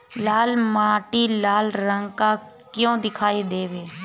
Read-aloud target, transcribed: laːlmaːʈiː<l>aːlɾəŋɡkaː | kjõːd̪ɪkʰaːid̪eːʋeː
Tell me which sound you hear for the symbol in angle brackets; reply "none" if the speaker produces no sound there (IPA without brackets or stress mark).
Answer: l